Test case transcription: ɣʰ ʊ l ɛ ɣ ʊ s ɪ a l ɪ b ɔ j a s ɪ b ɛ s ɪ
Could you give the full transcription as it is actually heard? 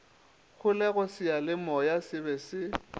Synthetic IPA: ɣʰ ʊ l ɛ ɣ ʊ s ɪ a l ɪ m ɔ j a s ɪ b ɛ s ɪ